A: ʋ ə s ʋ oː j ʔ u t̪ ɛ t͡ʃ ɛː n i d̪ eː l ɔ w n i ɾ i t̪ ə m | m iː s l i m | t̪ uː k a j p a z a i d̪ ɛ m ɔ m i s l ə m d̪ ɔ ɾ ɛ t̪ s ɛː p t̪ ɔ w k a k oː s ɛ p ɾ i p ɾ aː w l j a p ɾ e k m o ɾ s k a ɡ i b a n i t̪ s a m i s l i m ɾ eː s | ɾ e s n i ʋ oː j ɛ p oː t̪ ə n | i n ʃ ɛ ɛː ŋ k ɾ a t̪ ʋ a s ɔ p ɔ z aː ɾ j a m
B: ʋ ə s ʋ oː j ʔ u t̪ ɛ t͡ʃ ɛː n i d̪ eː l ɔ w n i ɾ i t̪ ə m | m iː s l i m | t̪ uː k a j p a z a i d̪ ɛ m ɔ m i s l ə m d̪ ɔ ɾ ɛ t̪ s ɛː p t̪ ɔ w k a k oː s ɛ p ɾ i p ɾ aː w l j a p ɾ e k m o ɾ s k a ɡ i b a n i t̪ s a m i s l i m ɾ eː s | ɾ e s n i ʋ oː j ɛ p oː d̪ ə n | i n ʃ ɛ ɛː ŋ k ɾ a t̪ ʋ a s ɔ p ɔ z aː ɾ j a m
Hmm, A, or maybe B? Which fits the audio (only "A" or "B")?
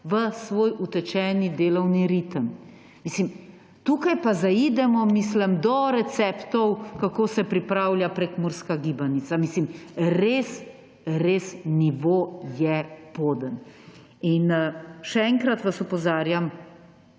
B